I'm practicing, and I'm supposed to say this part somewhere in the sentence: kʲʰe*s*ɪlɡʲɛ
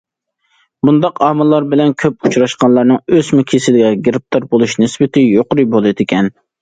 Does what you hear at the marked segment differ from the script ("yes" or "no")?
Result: no